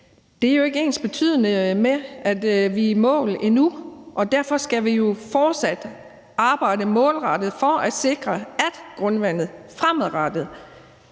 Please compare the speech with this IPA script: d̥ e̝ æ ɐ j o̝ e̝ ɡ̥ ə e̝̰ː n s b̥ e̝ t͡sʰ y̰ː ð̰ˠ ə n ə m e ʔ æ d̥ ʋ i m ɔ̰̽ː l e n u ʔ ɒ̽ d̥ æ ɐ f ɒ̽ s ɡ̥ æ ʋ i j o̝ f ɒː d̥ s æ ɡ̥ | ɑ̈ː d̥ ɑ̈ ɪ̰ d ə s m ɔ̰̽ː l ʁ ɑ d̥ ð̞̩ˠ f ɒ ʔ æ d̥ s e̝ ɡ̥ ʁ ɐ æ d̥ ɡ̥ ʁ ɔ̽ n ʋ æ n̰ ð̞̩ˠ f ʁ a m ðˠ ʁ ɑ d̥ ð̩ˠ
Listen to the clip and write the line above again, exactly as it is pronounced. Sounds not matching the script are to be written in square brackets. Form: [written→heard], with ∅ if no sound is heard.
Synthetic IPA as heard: d̥ e̝ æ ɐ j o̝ e̝ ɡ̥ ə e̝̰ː n s b̥ e̝ t͡sʰ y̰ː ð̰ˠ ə n ə m e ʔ æ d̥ ʋ i m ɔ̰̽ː l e n u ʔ ɒ̽ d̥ æ ɐ f ɒ̽ s ɡ̥ æ ʋ i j o̝ f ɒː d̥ s æ [ɡ̥→d̥] | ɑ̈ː [d̥→b̥] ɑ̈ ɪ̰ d ə [s→∅] m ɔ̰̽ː l ʁ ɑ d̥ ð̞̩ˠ f ɒ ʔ æ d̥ s e̝ ɡ̥ ʁ ɐ æ d̥ ɡ̥ ʁ ɔ̽ n ʋ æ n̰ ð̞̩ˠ f ʁ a m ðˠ ʁ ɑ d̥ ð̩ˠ